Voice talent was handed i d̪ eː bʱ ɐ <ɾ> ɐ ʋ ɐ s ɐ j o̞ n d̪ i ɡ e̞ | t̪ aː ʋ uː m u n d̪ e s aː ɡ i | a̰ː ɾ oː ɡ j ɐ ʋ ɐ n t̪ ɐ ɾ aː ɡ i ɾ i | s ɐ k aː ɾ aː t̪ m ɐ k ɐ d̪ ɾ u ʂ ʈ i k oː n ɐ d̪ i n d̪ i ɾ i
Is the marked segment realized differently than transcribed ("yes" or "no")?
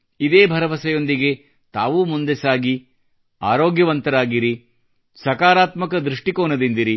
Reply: no